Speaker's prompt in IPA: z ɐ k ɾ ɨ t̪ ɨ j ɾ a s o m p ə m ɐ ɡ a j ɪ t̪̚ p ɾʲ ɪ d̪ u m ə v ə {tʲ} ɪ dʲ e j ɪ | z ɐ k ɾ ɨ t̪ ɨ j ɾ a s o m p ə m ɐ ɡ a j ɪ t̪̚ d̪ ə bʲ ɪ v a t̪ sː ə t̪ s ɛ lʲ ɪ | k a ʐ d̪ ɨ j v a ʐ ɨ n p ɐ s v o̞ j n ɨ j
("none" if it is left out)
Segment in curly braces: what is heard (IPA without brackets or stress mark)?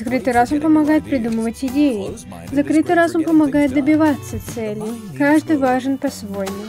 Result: tʲ